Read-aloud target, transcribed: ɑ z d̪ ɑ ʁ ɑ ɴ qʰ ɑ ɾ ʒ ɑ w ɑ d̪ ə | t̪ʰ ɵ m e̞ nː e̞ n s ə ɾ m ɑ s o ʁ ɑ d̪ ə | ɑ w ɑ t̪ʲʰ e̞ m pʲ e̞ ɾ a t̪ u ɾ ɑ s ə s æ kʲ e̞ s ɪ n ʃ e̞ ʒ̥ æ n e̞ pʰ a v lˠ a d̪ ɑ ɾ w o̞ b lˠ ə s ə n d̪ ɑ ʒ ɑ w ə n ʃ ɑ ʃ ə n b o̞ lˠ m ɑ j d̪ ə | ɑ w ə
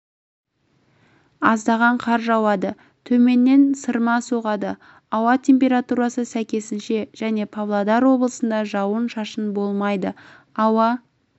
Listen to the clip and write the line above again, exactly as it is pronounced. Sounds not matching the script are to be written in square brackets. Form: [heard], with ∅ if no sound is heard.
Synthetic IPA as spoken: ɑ z d̪ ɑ ʁ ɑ ɴ qʰ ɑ ɾ ʒ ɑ w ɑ d̪ ə | t̪ʰ ɵ m e̞ nː e̞ n s ə ɾ m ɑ s o ʁ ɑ d̪ ə | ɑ w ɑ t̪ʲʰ e̞ m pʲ e̞ ɾ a t̪ u ɾ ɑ s ə s æ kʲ e̞ s ɪ n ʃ e̞ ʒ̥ æ n e̞ pʰ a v lˠ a d̪ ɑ ɾ w o̞ b lˠ ə s ə n d̪ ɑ ʒ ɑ w ə n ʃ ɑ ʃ ə n b o̞ lˠ m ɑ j d̪ ə | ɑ w [ɑ]